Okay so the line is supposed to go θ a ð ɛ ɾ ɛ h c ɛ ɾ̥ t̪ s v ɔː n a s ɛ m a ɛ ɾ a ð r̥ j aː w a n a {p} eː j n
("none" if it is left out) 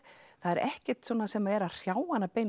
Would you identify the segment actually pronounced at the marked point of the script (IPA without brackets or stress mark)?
p